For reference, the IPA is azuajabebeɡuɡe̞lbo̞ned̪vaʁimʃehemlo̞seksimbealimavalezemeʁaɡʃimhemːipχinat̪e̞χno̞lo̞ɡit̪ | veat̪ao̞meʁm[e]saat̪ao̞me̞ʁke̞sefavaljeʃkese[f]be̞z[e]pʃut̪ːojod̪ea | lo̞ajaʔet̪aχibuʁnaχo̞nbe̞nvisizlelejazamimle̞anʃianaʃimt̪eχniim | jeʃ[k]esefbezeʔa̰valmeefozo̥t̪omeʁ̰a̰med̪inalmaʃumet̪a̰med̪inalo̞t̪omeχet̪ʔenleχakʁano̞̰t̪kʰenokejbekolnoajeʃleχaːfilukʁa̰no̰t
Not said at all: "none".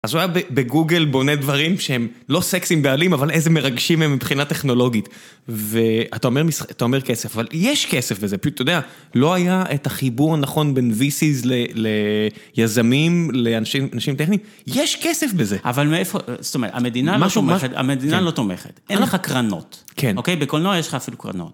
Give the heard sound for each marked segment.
i, f, e, k

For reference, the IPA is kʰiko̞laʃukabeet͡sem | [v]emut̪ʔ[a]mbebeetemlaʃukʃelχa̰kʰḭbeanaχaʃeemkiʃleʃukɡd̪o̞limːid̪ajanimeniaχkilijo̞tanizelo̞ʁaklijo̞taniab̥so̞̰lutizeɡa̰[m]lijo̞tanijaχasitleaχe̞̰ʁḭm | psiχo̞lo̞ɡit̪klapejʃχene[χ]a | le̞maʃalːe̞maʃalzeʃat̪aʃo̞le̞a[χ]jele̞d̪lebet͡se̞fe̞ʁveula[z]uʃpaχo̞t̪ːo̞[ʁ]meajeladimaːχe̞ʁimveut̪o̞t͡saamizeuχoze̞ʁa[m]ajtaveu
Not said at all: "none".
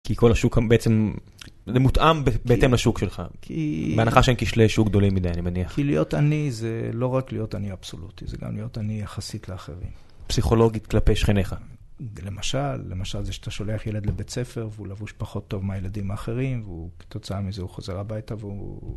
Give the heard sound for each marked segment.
z, a, m, χ, χ, v, v, b

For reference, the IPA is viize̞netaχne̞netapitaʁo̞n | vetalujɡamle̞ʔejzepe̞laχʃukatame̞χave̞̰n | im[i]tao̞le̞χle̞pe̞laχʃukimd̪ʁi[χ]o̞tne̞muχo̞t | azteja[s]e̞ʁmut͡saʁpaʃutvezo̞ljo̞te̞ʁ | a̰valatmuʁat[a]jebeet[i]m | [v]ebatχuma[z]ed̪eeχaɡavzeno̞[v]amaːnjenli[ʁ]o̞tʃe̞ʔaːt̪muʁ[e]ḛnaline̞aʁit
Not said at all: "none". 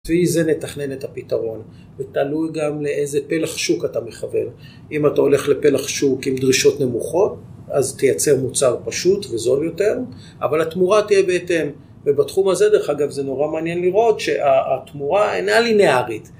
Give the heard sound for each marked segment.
a, ʃ, t͡s, i, e, v, z, ʁ, ʁ, a

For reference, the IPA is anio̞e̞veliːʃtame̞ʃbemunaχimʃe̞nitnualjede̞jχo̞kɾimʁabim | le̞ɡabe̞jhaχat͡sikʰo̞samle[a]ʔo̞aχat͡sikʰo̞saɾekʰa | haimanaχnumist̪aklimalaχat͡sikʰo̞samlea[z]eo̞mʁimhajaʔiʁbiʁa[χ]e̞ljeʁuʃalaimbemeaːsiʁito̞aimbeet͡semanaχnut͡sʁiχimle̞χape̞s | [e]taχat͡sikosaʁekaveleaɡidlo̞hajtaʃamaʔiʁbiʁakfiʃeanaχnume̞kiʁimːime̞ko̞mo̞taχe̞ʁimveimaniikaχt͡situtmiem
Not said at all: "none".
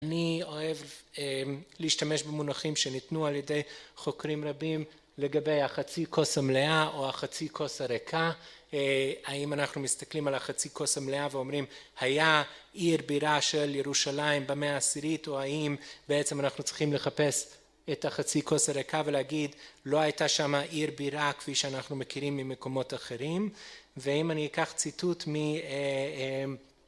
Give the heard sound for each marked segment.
a, v, ʃ, e

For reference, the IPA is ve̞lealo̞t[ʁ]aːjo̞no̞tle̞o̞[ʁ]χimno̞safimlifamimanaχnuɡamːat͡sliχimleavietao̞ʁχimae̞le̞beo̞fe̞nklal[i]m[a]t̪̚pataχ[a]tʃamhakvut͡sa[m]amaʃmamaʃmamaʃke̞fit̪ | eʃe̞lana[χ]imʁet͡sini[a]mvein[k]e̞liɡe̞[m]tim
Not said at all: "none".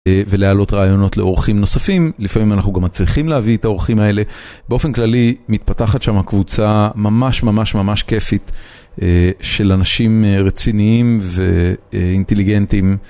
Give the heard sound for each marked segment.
ʁ, ʁ, i, i, a, m, ʃ, i, t, n

